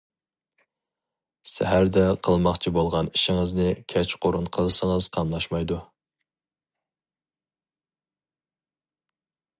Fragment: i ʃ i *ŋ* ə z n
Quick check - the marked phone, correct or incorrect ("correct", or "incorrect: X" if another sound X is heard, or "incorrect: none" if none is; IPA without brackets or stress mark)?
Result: correct